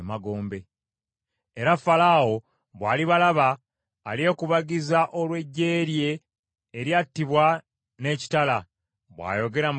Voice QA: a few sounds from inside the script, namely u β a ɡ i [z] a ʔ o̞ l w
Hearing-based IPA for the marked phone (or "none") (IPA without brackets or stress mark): z